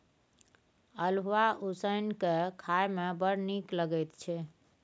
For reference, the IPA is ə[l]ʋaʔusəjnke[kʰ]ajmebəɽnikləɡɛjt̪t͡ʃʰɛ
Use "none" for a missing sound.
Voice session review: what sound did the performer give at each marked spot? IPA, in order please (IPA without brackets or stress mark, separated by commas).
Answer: l, kʰ